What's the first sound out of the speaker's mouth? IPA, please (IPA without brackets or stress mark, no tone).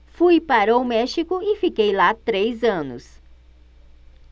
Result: f